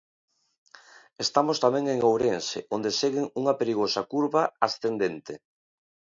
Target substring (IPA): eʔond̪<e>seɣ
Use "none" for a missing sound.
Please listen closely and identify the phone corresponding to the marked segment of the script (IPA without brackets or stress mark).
e